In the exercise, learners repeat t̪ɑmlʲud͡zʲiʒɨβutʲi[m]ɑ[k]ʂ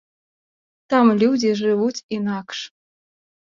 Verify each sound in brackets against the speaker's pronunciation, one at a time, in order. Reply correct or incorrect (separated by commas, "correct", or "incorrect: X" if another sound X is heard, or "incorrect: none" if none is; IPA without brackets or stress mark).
incorrect: n, correct